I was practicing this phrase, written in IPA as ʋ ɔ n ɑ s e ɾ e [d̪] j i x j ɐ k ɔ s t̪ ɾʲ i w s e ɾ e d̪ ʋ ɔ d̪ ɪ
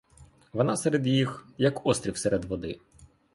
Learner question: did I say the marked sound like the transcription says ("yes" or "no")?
yes